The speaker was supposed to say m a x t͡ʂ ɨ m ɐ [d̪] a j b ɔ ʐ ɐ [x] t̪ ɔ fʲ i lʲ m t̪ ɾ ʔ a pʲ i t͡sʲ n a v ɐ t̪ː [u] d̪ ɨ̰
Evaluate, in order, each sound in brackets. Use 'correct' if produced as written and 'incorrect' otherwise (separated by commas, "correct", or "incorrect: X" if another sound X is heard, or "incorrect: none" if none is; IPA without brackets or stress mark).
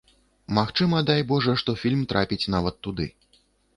correct, incorrect: ʂ, correct